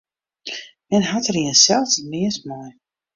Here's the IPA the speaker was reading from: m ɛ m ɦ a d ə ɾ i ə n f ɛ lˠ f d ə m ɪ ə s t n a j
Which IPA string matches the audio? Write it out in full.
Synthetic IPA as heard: m ɛ n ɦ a t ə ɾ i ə n s ɛ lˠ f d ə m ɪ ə s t m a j